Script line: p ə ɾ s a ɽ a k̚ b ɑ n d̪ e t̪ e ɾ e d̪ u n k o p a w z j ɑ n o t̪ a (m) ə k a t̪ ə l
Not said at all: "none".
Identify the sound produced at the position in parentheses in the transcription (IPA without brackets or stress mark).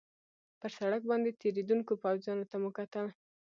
m